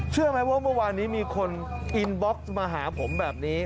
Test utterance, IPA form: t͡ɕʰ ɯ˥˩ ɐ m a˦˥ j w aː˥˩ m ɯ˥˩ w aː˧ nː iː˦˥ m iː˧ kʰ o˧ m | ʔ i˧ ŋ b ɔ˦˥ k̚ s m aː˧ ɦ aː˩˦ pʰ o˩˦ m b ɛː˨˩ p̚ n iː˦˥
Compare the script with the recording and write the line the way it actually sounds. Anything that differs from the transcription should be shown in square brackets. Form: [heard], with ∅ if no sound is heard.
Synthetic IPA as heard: t͡ɕʰ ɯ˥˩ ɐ m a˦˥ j w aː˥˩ m ɯ˥˩ w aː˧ nː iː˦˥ m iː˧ kʰ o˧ [n] | ʔ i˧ [n] b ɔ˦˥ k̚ s m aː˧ ɦ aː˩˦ pʰ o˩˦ m b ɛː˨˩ p̚ n iː˦˥